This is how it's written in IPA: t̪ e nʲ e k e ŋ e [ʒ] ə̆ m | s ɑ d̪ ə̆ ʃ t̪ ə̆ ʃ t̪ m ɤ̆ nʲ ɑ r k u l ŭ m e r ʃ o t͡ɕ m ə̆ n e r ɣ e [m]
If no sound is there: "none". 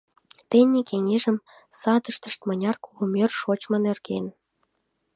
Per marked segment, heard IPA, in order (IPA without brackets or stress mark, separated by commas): ʒ, n